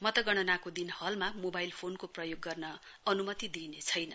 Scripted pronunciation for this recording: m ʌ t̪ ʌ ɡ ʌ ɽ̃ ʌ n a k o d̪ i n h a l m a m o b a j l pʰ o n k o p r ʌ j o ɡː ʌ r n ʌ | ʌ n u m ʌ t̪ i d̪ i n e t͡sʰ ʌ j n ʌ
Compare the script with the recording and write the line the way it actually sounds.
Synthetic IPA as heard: m ʌ t̪ ʌ ɡ ʌ ɽ̃ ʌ n a k o d̪ i n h ʌ l m a m o b a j l pʰ o n k o p r ʌ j o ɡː ʌ r n ʌ | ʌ n u m ʌ t̪ i d̪ i n e t͡sʰ ʌ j n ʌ